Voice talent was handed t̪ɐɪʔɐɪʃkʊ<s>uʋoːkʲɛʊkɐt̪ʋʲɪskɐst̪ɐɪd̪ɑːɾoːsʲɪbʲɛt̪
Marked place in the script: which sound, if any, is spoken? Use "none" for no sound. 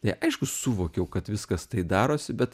s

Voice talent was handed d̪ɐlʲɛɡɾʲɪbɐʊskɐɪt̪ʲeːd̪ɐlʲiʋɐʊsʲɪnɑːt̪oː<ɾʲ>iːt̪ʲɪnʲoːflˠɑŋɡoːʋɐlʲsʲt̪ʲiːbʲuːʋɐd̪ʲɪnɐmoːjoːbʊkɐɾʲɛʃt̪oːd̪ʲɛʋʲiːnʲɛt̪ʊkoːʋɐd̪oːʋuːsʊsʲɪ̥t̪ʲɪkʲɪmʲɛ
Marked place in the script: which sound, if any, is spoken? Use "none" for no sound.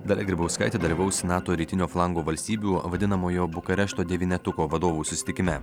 ɾʲ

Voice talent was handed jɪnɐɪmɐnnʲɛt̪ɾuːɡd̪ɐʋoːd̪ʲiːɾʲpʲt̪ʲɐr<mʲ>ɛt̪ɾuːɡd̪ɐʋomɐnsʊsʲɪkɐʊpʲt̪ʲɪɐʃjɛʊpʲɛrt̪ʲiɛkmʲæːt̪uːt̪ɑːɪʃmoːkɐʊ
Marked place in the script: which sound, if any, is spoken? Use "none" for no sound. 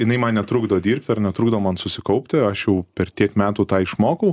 nʲ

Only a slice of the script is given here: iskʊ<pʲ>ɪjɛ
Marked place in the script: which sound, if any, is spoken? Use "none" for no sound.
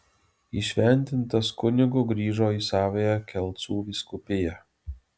pʲ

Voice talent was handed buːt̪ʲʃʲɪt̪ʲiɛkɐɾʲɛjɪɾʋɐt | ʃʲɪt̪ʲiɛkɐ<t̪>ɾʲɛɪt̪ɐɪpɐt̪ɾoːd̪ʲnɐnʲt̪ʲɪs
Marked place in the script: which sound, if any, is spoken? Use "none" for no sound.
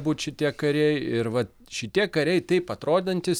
none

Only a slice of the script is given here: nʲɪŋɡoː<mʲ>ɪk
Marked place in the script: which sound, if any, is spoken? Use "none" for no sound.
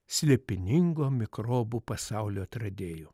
mʲ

